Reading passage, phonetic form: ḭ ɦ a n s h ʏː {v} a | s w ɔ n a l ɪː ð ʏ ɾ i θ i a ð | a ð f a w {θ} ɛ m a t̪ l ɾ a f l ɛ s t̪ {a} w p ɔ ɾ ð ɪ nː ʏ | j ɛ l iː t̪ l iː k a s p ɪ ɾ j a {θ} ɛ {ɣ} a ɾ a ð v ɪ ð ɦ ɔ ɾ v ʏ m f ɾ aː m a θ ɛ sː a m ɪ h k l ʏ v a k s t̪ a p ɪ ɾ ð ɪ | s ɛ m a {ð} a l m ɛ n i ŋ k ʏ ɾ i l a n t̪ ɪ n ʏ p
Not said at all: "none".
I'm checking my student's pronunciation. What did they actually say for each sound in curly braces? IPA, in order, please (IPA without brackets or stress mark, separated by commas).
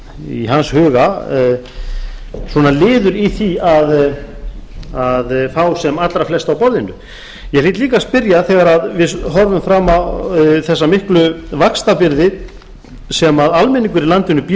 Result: ɣ, s, a, θ, ɣ, ð